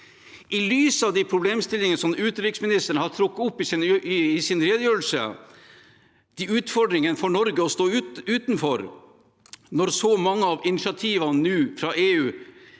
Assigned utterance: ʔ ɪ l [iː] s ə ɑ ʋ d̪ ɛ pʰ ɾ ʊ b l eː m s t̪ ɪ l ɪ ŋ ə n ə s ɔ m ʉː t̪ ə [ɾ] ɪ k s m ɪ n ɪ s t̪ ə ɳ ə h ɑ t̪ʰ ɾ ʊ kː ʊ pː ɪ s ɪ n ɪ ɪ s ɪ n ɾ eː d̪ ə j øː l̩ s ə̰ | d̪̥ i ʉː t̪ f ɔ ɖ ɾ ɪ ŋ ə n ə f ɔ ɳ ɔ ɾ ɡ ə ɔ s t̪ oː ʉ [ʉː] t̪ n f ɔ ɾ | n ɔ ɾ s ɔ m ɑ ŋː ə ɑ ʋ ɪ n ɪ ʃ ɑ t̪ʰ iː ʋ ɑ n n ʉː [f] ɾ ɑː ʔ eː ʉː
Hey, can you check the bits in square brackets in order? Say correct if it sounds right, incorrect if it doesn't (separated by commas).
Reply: incorrect, correct, correct, correct